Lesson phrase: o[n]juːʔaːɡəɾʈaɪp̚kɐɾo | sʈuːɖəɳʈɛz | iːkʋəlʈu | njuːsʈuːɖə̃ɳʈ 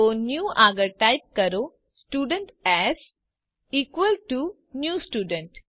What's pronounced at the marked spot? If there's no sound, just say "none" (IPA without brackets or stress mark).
n